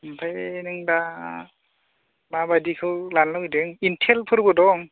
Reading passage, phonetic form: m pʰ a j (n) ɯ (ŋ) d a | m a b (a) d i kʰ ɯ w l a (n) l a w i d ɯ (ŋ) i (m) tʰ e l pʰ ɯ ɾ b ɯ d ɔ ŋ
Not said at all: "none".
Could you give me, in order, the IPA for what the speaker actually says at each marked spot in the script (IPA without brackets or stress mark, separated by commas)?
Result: n, ŋ, a, n, ŋ, n